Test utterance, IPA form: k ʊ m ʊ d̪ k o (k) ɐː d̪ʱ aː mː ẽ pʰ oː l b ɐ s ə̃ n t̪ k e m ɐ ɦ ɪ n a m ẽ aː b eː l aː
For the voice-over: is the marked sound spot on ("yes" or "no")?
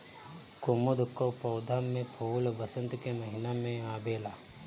no